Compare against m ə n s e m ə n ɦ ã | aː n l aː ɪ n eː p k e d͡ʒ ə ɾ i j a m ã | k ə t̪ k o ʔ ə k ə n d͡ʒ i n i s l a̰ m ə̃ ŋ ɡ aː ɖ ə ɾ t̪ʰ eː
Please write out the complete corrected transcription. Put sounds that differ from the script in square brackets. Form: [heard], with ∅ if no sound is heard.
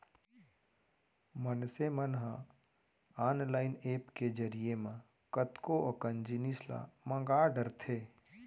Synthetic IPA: m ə n s e m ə n ɦ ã | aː n l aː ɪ n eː p k e d͡ʒ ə ɾ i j [e] m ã | k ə t̪ k o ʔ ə k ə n d͡ʒ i n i s l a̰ m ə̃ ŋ ɡ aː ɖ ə ɾ t̪ʰ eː